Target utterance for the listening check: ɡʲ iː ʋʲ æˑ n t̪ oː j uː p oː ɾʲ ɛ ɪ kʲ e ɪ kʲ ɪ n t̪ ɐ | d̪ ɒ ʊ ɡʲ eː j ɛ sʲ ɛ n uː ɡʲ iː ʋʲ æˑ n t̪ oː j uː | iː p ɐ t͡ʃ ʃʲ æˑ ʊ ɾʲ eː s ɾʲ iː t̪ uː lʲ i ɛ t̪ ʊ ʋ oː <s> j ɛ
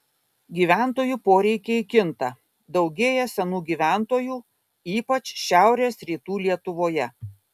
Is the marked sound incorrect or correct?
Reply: incorrect